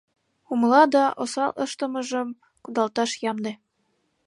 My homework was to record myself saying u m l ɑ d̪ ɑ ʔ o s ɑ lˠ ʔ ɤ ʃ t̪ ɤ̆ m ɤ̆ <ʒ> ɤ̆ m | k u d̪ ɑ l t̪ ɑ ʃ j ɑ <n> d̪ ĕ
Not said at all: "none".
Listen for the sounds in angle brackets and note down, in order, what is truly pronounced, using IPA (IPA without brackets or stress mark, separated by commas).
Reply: ʒ, m